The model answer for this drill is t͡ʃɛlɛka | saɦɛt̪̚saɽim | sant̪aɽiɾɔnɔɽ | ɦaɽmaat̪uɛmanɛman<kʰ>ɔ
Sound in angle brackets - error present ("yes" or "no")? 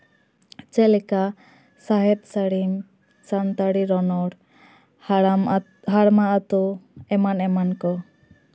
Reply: yes